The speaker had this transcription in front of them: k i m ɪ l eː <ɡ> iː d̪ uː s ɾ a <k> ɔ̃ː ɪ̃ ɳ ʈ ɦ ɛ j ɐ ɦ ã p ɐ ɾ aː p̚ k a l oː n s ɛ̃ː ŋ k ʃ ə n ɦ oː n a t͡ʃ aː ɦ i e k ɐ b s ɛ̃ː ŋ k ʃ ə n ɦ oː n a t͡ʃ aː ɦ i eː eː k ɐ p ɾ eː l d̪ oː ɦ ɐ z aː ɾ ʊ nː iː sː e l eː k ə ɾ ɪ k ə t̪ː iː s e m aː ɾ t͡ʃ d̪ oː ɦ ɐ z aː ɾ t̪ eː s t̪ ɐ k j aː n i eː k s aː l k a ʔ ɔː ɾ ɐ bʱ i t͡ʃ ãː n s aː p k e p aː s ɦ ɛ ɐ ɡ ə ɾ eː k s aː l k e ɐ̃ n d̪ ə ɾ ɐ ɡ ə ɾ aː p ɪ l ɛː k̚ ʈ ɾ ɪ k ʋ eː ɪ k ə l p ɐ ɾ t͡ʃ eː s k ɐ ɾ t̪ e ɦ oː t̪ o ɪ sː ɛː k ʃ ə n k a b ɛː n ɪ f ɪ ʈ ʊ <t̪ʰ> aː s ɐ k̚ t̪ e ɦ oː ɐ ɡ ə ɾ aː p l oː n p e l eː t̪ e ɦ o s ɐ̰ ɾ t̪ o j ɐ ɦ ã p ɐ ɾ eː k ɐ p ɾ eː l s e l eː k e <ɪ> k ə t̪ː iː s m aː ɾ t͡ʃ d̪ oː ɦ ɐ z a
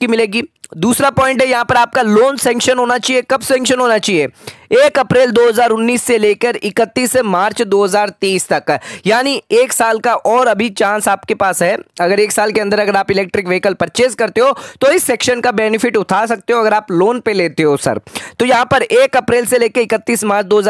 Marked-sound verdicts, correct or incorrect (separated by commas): correct, incorrect, correct, correct